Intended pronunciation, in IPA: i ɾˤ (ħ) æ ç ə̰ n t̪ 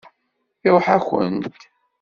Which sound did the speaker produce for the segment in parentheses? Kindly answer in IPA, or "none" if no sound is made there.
ħ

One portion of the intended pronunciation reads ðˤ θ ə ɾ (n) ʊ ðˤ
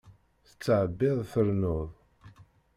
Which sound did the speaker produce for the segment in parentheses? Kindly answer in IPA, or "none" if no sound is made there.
n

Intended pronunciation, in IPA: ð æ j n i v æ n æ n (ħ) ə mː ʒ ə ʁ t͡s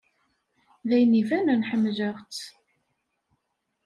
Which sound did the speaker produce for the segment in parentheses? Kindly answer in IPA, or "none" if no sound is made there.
ħ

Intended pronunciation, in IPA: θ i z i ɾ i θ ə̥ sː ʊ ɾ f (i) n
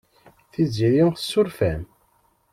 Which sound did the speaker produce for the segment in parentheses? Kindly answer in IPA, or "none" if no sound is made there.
æ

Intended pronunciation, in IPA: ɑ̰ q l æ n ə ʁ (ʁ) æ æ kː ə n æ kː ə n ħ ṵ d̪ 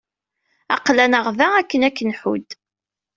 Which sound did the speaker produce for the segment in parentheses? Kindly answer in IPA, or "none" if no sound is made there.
v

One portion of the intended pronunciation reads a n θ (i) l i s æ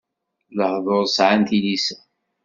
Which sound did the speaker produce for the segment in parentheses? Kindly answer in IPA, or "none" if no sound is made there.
i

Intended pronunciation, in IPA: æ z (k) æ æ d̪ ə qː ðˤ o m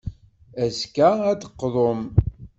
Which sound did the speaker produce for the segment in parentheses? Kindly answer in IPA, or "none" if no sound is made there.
k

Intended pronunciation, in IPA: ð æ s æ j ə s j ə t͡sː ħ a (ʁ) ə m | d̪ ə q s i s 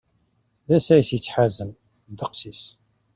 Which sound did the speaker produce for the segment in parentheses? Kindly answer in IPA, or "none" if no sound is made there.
z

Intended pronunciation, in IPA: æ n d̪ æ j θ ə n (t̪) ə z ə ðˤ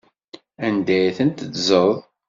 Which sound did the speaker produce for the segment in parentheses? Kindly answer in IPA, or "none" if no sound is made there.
t̪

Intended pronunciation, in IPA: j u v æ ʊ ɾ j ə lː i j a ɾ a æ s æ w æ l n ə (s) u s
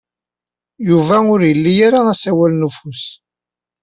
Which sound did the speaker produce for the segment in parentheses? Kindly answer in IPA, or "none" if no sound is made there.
f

